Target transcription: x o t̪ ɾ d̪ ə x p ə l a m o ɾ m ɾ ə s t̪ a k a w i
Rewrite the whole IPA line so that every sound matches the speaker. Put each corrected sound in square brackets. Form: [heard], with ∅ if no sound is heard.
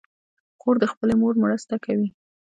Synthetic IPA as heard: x o [∅] ɾ d̪ ə x p ə l [e] m o ɾ m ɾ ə s t̪ a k a w i